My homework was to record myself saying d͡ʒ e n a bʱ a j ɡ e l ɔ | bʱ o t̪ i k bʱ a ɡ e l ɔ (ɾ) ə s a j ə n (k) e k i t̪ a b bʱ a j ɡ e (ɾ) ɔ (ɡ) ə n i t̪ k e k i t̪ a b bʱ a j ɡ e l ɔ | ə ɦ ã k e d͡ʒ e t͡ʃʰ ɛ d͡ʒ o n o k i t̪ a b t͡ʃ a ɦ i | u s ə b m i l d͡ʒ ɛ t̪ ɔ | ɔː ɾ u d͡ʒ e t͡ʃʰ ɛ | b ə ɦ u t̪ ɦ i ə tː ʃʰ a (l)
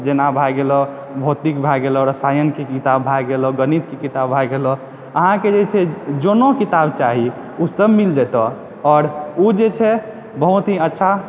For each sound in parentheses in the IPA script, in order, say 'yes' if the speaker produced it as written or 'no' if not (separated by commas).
yes, yes, no, yes, no